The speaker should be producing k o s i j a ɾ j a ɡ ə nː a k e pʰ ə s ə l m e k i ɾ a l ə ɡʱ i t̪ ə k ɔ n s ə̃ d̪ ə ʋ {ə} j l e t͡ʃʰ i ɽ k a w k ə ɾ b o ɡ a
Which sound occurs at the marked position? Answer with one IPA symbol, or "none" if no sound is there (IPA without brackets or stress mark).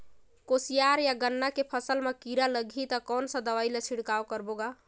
a